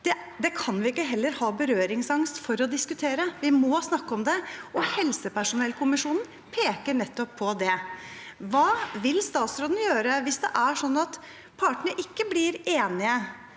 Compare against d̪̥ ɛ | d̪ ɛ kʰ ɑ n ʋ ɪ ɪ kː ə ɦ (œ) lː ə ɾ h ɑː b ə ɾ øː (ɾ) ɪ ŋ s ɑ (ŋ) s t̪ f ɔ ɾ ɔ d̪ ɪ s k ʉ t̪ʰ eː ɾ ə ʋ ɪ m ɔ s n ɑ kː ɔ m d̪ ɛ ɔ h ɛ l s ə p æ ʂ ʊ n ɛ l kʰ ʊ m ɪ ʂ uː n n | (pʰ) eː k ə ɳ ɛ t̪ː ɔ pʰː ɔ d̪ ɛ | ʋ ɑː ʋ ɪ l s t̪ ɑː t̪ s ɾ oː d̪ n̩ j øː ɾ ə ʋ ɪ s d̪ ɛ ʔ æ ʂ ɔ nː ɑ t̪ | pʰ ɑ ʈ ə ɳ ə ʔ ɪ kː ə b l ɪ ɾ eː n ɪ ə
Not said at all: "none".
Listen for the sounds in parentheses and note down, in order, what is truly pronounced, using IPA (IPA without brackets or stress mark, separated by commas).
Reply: ɛ, ɾ, ŋ, pʰ